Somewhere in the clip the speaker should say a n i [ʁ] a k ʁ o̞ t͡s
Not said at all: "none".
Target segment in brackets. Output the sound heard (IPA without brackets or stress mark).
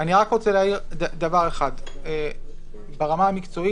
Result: ʁ